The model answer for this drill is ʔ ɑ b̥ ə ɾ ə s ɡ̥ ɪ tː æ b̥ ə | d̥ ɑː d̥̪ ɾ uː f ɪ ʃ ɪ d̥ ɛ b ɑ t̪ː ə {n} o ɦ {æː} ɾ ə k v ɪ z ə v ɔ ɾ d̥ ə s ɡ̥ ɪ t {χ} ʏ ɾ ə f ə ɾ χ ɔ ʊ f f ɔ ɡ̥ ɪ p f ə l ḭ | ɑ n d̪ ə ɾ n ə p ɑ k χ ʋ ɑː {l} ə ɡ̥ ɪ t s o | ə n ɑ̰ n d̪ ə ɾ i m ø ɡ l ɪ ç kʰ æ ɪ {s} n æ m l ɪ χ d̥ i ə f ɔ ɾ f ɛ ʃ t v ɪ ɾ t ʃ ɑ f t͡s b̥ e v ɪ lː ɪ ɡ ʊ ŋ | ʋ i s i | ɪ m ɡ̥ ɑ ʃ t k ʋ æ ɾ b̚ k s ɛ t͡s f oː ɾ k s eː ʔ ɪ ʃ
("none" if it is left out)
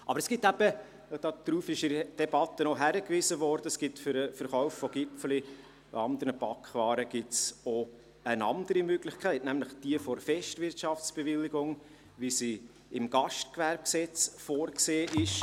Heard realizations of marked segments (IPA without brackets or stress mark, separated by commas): n, æ, f, ɾ, t